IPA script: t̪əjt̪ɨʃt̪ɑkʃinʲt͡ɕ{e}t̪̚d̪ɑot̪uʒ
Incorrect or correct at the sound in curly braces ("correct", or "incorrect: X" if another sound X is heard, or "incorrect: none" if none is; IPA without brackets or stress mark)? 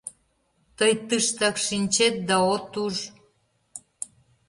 correct